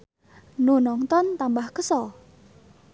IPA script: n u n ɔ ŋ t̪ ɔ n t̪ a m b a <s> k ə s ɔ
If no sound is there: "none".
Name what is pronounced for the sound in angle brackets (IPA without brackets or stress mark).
h